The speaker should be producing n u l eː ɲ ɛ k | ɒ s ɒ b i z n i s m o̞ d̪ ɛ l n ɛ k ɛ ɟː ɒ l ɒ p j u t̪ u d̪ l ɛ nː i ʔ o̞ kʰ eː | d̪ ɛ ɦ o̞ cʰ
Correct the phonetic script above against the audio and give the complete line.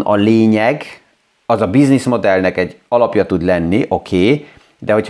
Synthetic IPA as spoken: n ɒ l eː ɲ ɛ ɡ | ɒ z ɒ b i z n i s m o̞ d̪ ɛ l n ɛ k ɛ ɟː ɒ l ɒ p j ɒ t̪ u d̪ l ɛ nː i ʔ o̞ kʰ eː | d̪ ɛ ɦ o̞ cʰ